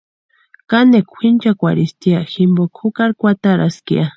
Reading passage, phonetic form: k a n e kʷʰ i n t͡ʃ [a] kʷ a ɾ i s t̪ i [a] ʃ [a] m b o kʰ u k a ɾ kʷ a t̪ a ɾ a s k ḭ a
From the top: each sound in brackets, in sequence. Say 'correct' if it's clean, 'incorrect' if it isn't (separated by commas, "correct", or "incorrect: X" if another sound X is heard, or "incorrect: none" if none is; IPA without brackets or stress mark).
correct, correct, incorrect: i